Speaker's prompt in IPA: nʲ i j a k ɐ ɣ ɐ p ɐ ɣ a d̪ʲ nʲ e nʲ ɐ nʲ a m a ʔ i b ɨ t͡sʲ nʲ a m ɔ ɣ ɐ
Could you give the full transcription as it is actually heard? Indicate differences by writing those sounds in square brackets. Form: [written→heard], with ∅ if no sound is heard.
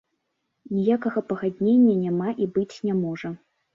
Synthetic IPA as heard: nʲ i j a k ɐ ɣ ɐ p ɐ ɣ a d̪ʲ nʲ e [nʲ→nʲː] ɐ nʲ a m a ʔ i b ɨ t͡sʲ nʲ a m ɔ [ɣ→ʐ] ɐ